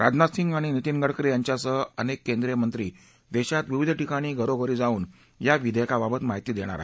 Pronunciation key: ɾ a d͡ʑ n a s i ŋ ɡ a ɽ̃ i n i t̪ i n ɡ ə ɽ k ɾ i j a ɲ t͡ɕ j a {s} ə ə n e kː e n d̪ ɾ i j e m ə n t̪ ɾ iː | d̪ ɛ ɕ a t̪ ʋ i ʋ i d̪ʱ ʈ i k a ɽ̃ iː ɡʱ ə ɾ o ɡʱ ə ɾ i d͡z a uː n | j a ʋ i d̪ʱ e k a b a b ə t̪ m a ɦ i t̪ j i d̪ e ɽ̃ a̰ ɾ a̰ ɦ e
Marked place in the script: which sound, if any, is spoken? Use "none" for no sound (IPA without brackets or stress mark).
s